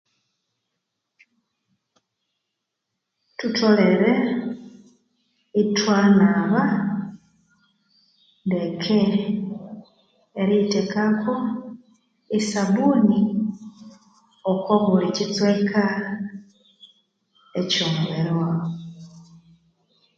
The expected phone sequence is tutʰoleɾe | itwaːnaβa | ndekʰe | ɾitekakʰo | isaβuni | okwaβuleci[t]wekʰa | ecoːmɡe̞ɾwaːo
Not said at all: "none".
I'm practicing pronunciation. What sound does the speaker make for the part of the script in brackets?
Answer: t͡s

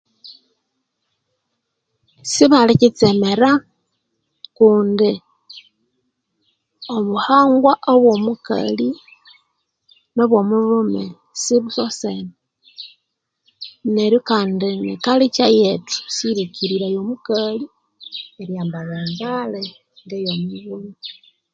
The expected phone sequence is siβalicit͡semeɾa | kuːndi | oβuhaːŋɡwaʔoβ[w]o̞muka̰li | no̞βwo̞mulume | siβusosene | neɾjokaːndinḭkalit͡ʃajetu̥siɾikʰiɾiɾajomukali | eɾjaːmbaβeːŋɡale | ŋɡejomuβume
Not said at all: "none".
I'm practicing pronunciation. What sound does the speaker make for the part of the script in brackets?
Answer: w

